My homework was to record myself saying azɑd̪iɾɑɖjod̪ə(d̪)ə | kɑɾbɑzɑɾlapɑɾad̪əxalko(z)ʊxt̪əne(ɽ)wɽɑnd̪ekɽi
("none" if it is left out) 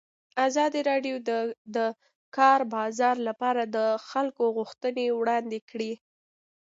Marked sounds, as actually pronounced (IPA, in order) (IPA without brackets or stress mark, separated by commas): d̪, ɣ, none